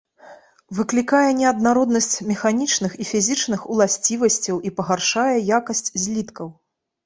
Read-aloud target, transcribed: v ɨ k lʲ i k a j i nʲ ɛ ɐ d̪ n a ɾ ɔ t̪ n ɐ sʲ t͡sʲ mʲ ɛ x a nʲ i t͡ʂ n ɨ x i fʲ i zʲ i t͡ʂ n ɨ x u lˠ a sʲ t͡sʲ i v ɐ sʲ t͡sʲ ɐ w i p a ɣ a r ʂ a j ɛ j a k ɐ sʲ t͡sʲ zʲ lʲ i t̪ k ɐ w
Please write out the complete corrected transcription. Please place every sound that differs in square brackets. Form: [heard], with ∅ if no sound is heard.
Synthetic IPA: v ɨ k lʲ i k a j [ɛ] nʲ ɛ ɐ d̪ n a ɾ ɔ [d̪] n ɐ sʲ t͡sʲ mʲ ɛ x a nʲ i t͡ʂ n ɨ x i fʲ i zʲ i t͡ʂ n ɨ x u lˠ a sʲ t͡sʲ i v ɐ sʲ t͡sʲ ɐ w i p [ɐ] ɣ a r ʂ a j ɛ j a k ɐ sʲ t͡sʲ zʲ lʲ i t̪ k ɐ w

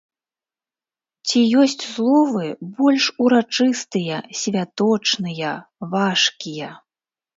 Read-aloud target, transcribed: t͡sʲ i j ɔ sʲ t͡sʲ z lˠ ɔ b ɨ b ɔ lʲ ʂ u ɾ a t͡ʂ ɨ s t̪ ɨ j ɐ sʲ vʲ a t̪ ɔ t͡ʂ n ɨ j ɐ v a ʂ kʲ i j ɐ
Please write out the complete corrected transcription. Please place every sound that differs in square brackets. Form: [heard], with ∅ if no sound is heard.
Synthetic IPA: t͡sʲ i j ɔ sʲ t͡sʲ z lˠ ɔ [v] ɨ b ɔ lʲ ʂ u ɾ a t͡ʂ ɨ s t̪ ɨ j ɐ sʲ vʲ a t̪ ɔ t͡ʂ n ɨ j ɐ v a ʂ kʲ i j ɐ

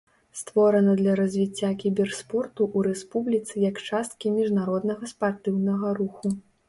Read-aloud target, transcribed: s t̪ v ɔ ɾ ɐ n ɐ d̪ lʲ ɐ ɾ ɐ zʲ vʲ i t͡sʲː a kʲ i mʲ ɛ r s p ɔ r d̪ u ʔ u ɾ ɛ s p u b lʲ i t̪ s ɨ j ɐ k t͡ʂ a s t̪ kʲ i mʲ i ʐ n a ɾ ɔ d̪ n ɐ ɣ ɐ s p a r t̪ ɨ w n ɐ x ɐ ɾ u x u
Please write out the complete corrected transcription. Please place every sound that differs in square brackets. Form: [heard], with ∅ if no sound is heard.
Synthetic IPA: s t̪ v ɔ ɾ ɐ n ɐ d̪ lʲ ɐ ɾ ɐ zʲ vʲ i t͡sʲː a kʲ i [bʲ] ɛ r s p ɔ r [t̪] u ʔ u ɾ ɛ s p u b lʲ i t̪ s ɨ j ɐ k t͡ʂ a s t̪ kʲ i mʲ i ʐ n a ɾ ɔ d̪ n ɐ ɣ ɐ s p a r t̪ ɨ w n ɐ [ɣ] ɐ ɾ u x u

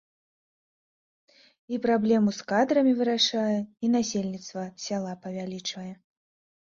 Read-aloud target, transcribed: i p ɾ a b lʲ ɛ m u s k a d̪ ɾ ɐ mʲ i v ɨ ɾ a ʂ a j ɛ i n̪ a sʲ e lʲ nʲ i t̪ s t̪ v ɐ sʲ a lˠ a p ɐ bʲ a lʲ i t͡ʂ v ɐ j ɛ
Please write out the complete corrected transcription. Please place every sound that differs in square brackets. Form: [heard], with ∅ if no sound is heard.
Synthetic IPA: i p ɾ a b lʲ ɛ m u s k a d̪ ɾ ɐ mʲ i v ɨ ɾ a ʂ a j ɛ i n̪ a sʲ e lʲ nʲ i t̪ s t̪ v ɐ sʲ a lˠ a p ɐ [vʲ] a lʲ i t͡ʂ v ɐ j ɛ

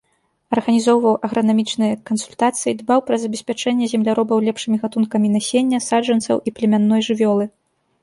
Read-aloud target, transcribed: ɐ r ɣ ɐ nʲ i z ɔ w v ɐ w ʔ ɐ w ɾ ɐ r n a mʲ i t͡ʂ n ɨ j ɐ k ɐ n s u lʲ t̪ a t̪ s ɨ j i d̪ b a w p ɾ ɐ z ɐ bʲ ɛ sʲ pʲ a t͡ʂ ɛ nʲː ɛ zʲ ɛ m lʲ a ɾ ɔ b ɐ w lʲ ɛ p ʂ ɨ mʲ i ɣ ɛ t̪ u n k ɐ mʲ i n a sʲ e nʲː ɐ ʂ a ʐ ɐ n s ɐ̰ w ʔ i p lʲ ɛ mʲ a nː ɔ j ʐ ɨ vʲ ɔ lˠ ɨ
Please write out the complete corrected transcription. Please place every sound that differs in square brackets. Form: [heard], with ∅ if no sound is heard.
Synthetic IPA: ɐ r ɣ ɐ nʲ i z ɔ w v ɐ w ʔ ɐ [ɣ] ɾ ɐ [∅] n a mʲ i t͡ʂ n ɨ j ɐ k ɐ n s u lʲ t̪ a t̪ s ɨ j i d̪ b a w p ɾ ɐ z ɐ bʲ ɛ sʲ pʲ a t͡ʂ ɛ nʲː ɛ zʲ ɛ m lʲ a ɾ ɔ b ɐ w lʲ ɛ p ʂ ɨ mʲ i ɣ [a] t̪ u n k ɐ mʲ i n a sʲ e nʲː ɐ [s] a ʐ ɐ n s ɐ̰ w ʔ i p lʲ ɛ mʲ a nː ɔ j ʐ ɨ vʲ ɔ lˠ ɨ

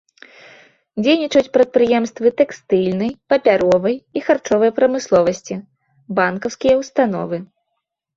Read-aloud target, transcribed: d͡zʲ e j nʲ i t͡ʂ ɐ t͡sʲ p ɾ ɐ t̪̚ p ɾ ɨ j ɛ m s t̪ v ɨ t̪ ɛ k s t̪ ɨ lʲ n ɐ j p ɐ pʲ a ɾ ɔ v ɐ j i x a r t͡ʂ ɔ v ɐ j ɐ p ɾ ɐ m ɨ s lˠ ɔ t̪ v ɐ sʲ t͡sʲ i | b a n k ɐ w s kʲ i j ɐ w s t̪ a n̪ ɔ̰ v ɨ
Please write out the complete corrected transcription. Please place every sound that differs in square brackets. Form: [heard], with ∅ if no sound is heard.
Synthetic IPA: d͡zʲ e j nʲ i t͡ʂ ɐ t͡sʲ p ɾ ɐ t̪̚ p ɾ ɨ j ɛ m s t̪ v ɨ t̪ ɛ k s t̪ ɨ lʲ n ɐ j p ɐ pʲ a ɾ ɔ v ɐ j i x a r t͡ʂ ɔ v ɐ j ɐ p ɾ ɐ m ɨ s lˠ ɔ [∅] v ɐ sʲ t͡sʲ i | b a n k ɐ w s kʲ i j ɐ w s t̪ a n̪ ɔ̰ v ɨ

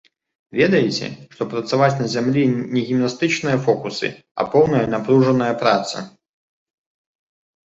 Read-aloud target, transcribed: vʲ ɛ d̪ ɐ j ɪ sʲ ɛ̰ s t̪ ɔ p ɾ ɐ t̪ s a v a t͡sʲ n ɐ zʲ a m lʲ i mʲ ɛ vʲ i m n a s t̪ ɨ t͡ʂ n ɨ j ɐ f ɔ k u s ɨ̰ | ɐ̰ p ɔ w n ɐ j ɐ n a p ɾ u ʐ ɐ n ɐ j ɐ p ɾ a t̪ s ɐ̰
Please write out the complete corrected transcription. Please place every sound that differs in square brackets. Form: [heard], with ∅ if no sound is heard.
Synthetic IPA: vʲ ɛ d̪ ɐ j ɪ [t͡sʲ] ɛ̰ [ʂ] t̪ ɔ p ɾ ɐ t̪ s a v a t͡sʲ n ɐ zʲ a m lʲ i [nʲ] ɛ [ɣʲ] i m n a s t̪ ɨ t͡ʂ n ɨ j ɐ f ɔ k u s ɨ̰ | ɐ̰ p ɔ w n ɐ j ɐ n a p ɾ u ʐ ɐ n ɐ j ɐ p ɾ a t̪ s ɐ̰

